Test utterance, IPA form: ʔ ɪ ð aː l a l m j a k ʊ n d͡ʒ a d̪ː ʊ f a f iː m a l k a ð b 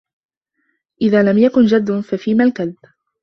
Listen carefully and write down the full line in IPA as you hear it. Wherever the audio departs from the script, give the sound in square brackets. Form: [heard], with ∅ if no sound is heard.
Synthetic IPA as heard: ʔ ɪ ð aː l a [∅] m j a k ʊ n d͡ʒ a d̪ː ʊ f a f iː m a l k a ð b

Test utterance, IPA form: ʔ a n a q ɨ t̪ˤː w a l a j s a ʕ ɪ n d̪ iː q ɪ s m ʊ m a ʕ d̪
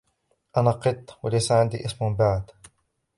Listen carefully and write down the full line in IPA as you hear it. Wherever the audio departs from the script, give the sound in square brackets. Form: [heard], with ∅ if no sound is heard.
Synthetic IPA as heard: ʔ a n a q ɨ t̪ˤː w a l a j s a ʕ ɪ n d̪ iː [ʔ] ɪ s m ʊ [b] a ʕ d̪

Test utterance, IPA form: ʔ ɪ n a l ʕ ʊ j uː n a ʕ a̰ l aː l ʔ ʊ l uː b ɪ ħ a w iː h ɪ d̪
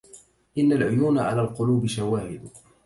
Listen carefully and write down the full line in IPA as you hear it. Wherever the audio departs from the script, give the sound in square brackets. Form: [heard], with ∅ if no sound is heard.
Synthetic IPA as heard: ʔ ɪ [nː] a l ʕ ʊ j uː n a ʕ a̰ l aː l [q] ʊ l uː b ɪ [ʃ] a w [aː] h ɪ d̪

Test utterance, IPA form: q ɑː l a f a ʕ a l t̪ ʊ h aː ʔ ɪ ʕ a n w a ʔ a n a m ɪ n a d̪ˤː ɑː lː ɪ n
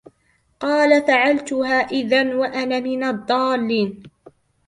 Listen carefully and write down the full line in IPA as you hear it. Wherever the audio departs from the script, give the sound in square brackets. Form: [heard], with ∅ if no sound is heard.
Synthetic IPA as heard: q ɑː l a f a ʕ a l t̪ ʊ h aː ʔ ɪ [ð] a n w a ʔ a n a m ɪ n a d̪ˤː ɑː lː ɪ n

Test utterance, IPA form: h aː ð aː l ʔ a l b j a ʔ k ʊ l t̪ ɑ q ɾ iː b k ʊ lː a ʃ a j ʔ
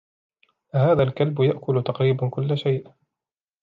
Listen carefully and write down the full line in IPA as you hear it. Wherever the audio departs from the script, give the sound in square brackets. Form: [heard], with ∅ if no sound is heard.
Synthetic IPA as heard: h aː ð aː l [k] a l b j a ʔ k ʊ l t̪ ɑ q ɾ iː b k ʊ lː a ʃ a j ʔ

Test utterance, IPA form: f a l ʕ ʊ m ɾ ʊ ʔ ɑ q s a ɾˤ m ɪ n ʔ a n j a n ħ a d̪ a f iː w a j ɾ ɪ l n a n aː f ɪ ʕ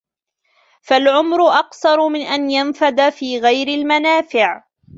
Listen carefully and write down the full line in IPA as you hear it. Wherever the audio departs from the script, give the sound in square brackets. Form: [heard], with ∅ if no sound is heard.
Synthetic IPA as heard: f a l ʕ ʊ m ɾ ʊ ʔ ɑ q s [ɑ] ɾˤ m ɪ n ʔ a n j a n [f] a d̪ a f iː [ɣ] a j ɾ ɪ l [m] a n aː f ɪ ʕ

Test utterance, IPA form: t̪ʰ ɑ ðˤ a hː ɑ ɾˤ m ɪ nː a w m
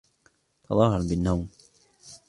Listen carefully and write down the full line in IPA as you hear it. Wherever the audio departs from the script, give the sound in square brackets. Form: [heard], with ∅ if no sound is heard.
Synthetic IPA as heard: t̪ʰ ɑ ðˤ [ɑ] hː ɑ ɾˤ [b] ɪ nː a w m

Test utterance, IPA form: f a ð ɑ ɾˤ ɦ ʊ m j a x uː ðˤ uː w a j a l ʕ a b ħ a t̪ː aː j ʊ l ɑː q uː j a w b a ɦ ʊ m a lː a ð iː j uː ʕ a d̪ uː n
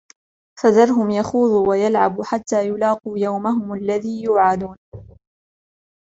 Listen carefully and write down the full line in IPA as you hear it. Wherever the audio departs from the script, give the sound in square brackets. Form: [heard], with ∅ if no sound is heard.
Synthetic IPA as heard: f a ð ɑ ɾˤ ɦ ʊ m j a x uː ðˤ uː w a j a l ʕ a b ħ a t̪ː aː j ʊ l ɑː q uː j a w [m] a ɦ ʊ m a lː a ð iː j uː ʕ a d̪ uː n

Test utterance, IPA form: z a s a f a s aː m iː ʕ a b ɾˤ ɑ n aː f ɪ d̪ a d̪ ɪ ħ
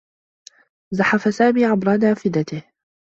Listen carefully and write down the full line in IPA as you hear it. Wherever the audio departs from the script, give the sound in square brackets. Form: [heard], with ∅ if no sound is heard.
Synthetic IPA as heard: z a [ħ] a f a s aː m iː ʕ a b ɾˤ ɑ n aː f ɪ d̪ a [t̪] ɪ [h]

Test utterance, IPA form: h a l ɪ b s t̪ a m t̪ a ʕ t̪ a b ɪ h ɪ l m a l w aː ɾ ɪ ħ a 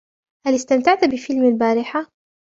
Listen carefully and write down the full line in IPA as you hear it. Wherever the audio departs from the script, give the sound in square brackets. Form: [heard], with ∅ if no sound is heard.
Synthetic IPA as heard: h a l ɪ [∅] s t̪ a m t̪ a ʕ t̪ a b ɪ [f] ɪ l m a l [b] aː ɾ ɪ ħ a

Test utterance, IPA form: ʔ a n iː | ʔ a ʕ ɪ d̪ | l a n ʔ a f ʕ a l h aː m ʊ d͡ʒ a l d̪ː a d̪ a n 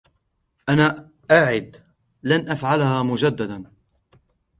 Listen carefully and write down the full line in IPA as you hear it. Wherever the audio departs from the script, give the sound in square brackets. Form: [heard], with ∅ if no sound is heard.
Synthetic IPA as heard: ʔ a n [aː] | ʔ a ʕ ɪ d̪ | l a n ʔ a f ʕ a l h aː m ʊ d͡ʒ a [∅] d̪ː a d̪ a n

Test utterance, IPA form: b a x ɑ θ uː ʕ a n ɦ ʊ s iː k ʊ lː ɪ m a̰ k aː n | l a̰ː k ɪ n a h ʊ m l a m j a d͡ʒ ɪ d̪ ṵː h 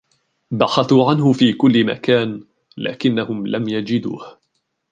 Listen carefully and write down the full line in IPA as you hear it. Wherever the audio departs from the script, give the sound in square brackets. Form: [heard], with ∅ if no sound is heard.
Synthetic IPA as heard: b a x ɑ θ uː ʕ a n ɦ ʊ [f] iː k ʊ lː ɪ m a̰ k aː n | l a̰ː k ɪ [nː] a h ʊ m l a m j a d͡ʒ ɪ d̪ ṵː h

